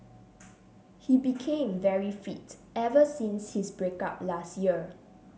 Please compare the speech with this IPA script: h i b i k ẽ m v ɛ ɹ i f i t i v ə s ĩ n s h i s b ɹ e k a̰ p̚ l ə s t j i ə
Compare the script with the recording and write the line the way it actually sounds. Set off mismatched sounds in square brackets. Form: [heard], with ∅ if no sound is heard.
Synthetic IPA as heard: h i b i [kʰ] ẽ m v ɛ ɹ i f i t [ɛ] v ə s ĩ n s h i s b ɹ e k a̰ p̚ l [a] s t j i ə